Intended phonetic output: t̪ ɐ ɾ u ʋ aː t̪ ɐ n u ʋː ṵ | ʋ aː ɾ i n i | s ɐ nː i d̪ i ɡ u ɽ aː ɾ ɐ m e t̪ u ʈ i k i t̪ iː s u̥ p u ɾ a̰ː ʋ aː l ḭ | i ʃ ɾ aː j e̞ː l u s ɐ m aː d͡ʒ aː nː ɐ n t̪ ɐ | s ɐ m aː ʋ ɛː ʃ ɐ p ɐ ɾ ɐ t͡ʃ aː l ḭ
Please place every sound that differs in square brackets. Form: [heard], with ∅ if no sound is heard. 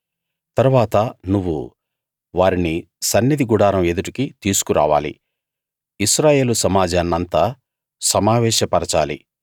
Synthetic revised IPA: t̪ ɐ ɾ u ʋ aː t̪ ɐ n u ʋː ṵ | ʋ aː ɾ i n i | s ɐ nː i d̪ i ɡ u ɽ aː ɾ ɐ m e [d̪] u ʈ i k i t̪ iː s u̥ [k] u ɾ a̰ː ʋ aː l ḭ | i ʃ ɾ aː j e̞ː l u s ɐ m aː d͡ʒ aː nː ɐ n t̪ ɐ | s ɐ m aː ʋ ɛː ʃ ɐ p ɐ ɾ ɐ t͡ʃ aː l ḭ